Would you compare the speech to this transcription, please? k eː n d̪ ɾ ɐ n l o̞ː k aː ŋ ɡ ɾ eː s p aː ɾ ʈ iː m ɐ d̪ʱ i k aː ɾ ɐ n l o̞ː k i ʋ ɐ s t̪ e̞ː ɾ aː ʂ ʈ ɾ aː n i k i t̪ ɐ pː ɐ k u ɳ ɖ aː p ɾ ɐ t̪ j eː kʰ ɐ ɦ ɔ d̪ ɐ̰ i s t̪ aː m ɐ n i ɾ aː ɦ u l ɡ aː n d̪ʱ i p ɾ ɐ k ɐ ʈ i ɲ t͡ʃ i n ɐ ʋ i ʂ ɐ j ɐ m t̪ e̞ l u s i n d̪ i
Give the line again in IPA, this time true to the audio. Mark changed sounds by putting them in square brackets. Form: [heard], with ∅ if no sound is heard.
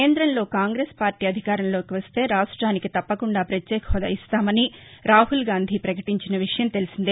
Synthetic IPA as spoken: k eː n d̪ ɾ ɐ n l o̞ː k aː ŋ ɡ ɾ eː s p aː ɾ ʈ iː [∅] ɐ d̪ʱ i k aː ɾ ɐ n l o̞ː k i ʋ ɐ s t̪ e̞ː ɾ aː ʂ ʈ ɾ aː n i k i t̪ ɐ pː ɐ k u ɳ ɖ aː p ɾ ɐ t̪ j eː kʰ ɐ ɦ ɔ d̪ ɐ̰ i s t̪ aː m ɐ n i ɾ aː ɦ u l ɡ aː n d̪ʱ i p ɾ ɐ k ɐ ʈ i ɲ t͡ʃ i n ɐ ʋ i ʂ ɐ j ɐ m t̪ e̞ l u s i n d̪ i